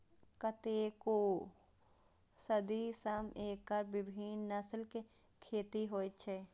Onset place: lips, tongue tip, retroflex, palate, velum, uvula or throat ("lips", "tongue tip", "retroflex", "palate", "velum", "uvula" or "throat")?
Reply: velum